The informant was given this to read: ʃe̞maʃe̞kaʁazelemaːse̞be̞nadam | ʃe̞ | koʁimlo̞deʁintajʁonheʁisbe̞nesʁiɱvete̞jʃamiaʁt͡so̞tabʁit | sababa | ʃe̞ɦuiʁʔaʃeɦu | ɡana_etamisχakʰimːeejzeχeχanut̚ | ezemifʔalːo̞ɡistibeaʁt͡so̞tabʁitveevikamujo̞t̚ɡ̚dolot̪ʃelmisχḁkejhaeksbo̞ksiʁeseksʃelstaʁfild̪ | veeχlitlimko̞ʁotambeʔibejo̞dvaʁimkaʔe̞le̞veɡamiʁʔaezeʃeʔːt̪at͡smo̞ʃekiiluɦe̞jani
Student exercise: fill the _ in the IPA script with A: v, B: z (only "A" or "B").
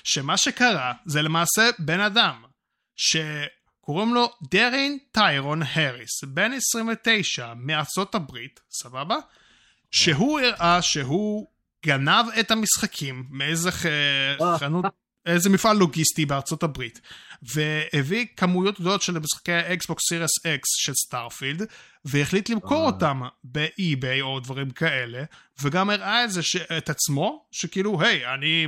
A